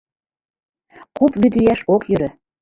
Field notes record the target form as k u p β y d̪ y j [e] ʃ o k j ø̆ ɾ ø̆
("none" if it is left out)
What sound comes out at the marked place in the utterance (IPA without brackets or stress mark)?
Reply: æ